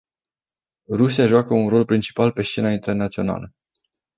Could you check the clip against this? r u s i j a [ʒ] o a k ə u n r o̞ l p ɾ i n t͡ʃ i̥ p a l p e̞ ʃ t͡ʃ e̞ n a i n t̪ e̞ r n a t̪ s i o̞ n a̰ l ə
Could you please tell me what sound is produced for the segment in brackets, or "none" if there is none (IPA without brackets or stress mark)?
ʒ